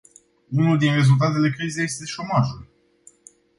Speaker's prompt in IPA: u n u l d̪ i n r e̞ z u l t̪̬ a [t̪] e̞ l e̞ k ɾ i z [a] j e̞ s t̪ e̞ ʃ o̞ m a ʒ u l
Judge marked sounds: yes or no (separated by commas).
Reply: yes, no